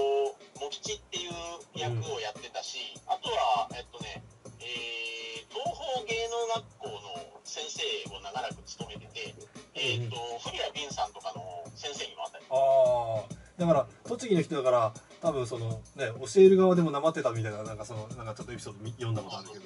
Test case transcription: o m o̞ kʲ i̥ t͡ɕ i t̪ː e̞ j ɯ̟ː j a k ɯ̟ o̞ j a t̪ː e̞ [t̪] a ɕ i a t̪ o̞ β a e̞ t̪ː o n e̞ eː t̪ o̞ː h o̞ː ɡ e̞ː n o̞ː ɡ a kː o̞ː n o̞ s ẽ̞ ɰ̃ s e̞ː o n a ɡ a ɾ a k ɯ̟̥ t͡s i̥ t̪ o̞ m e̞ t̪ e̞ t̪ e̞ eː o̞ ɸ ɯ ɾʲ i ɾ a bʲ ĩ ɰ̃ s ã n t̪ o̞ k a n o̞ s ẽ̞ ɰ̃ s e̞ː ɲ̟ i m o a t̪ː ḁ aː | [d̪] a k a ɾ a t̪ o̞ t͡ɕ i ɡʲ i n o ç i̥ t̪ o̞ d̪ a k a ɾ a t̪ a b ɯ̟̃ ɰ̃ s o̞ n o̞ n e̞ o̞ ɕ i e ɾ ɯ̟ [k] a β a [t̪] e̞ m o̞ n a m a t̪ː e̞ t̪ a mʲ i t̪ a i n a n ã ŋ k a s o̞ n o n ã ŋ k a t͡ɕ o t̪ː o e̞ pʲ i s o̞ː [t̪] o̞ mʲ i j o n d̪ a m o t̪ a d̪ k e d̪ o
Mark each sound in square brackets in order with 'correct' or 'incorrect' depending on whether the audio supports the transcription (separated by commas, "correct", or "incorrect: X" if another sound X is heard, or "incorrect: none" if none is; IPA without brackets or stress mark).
correct, correct, incorrect: ɡ, incorrect: d̪, incorrect: d̪